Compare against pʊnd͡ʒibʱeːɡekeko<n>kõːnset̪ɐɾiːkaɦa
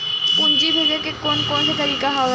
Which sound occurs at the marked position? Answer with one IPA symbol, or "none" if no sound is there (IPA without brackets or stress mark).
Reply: n